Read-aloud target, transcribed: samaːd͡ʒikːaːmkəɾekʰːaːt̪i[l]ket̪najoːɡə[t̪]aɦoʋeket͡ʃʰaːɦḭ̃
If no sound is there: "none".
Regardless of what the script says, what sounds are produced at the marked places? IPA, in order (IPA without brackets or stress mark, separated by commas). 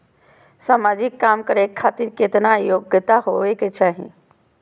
ɾ, t̪